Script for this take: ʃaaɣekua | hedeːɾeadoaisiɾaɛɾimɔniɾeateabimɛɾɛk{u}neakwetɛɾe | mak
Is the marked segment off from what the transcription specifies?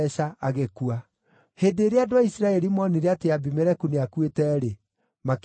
no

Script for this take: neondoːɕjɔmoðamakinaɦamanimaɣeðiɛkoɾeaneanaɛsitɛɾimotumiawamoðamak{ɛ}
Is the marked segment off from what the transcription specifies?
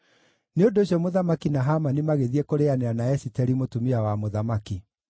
yes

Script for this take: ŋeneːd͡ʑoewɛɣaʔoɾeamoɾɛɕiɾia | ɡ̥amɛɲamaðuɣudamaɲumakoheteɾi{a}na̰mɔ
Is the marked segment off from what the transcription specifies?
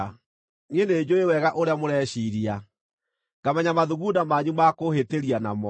no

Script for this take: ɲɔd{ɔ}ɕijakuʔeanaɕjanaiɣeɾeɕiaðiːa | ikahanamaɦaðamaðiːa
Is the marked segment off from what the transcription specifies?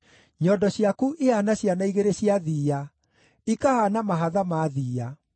no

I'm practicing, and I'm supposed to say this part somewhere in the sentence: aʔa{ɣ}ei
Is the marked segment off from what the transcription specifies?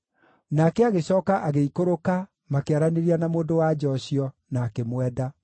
no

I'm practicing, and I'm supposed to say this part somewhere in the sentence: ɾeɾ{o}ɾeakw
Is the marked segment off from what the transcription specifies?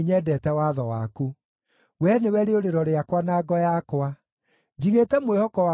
yes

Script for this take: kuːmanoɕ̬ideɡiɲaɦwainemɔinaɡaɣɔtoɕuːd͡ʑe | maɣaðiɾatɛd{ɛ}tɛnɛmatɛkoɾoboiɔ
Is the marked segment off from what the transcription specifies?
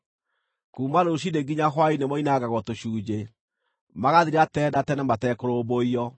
yes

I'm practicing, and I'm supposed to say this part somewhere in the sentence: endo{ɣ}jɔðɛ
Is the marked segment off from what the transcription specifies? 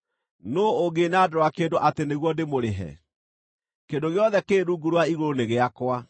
no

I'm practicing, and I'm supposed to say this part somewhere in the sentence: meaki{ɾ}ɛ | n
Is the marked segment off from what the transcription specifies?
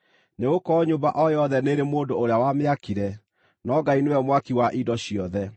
no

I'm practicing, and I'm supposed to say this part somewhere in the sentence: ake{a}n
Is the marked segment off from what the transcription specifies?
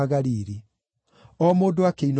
yes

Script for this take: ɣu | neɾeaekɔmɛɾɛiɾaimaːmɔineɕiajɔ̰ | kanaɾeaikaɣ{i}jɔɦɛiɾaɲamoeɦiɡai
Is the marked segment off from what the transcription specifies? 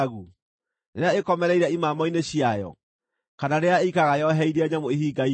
yes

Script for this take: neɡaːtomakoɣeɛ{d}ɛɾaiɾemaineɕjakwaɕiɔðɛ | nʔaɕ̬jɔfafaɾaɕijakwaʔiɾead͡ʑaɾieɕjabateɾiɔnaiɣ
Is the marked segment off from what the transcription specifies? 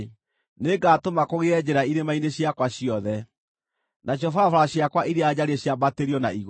yes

